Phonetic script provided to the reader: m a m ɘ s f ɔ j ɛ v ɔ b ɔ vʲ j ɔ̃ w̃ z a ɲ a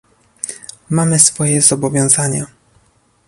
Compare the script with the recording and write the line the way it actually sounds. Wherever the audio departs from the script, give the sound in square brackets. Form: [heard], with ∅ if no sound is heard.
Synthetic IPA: m a m ɘ s f ɔ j ɛ [z] ɔ b ɔ vʲ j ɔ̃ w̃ z a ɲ a